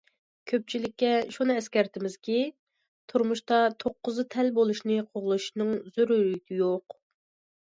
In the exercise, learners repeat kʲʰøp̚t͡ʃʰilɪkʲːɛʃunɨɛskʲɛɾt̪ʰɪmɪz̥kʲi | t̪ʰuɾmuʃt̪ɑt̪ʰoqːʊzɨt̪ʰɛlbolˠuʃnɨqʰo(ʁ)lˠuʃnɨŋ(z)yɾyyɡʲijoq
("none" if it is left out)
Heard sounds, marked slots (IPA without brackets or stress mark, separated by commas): ʁ, z